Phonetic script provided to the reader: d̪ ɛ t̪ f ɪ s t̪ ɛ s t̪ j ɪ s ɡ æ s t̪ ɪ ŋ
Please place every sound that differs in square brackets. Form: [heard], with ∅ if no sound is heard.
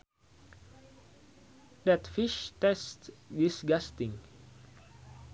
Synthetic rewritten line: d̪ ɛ t̪ f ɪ [ʃ] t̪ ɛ s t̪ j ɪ s ɡ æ s t̪ ɪ ŋ